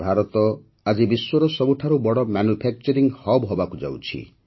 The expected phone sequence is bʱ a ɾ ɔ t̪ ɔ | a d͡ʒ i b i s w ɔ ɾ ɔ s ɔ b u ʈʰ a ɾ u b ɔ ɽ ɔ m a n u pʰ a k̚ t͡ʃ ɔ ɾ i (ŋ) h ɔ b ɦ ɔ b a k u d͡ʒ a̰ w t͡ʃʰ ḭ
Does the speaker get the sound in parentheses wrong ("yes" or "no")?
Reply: no